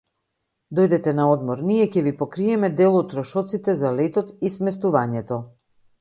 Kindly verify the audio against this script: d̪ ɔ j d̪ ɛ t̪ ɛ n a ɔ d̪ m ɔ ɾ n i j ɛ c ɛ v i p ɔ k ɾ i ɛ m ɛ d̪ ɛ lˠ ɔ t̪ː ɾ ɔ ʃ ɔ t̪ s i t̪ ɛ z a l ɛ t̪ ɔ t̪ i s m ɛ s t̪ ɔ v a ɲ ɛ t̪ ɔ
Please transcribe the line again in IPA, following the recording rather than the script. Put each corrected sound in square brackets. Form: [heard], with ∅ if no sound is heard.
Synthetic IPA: d̪ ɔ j d̪ ɛ t̪ ɛ n a ɔ d̪ m ɔ ɾ n i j ɛ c ɛ v i p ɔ k ɾ i ɛ m ɛ d̪ ɛ lˠ ɔ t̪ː ɾ ɔ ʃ ɔ t̪ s i t̪ ɛ z a l ɛ t̪ ɔ t̪ i s m ɛ s t̪ [u] v a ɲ ɛ t̪ ɔ